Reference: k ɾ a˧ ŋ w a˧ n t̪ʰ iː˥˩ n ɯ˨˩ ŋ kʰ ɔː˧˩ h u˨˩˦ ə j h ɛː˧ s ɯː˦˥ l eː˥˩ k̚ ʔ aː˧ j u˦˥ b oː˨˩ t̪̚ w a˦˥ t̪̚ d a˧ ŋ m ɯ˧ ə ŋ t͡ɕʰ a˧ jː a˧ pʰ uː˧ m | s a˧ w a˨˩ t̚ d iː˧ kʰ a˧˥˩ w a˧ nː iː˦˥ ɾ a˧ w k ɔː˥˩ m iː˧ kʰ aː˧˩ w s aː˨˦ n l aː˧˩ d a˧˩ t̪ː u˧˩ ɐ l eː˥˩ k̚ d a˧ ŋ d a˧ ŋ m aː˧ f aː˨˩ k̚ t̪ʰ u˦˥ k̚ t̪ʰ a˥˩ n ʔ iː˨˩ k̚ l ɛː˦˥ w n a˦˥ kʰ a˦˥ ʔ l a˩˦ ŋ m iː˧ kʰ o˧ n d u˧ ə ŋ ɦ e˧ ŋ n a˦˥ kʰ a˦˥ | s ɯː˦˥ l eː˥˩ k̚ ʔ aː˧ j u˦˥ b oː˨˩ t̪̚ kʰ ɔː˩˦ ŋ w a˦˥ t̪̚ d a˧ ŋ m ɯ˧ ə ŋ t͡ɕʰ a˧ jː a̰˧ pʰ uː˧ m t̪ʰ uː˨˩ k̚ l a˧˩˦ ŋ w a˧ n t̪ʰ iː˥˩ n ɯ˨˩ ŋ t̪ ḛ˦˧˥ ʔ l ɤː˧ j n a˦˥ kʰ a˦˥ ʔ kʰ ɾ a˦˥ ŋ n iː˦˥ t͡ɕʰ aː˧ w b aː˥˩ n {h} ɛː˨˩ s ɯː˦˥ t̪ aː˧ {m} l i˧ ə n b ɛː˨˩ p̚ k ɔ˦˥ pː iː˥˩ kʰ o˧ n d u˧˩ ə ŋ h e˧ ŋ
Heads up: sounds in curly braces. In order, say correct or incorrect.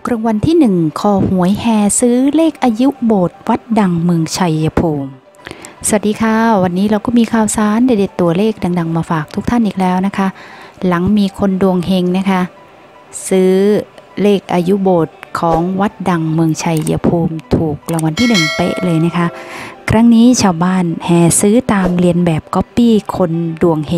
correct, correct

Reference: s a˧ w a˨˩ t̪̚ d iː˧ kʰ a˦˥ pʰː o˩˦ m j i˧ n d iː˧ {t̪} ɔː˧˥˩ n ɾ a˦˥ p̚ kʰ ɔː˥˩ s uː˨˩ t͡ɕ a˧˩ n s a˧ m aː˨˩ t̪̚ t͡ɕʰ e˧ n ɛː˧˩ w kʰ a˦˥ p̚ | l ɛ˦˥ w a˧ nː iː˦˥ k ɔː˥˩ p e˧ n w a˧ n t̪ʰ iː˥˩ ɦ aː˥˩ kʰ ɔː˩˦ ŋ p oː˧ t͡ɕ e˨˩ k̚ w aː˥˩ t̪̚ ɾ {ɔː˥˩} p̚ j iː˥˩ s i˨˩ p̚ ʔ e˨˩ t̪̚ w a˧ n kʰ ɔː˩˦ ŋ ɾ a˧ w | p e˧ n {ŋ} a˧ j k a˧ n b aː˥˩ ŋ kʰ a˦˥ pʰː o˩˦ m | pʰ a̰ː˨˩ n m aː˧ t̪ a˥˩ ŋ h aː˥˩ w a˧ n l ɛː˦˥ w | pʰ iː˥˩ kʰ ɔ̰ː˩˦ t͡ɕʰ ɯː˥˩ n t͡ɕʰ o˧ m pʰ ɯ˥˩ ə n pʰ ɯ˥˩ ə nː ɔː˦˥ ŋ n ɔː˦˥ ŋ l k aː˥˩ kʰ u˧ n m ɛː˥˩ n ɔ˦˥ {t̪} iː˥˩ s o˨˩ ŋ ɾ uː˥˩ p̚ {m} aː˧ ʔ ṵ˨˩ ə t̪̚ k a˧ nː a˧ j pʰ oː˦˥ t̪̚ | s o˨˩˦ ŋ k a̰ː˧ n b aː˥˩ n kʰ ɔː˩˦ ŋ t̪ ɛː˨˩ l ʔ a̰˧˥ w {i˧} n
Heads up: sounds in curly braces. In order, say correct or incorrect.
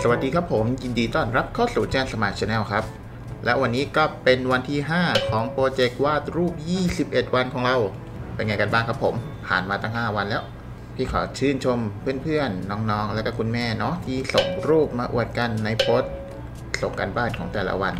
correct, incorrect, correct, incorrect, correct, incorrect

